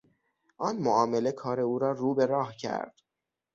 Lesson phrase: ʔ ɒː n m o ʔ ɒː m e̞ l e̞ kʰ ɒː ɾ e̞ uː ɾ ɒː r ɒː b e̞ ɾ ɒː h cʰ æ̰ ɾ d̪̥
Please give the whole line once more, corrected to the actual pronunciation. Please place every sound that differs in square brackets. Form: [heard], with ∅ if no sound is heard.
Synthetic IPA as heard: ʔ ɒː n m o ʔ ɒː m e̞ l e̞ kʰ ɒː ɾ e̞ uː ɾ ɒː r [uː] b e̞ ɾ ɒː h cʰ æ̰ ɾ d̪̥